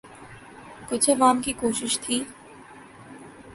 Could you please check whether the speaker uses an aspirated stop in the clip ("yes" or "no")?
yes